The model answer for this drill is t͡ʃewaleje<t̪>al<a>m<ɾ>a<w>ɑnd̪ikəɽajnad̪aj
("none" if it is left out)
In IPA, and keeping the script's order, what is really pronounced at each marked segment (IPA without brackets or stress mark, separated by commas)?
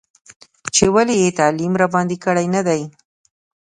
t̪, i, ɾ, b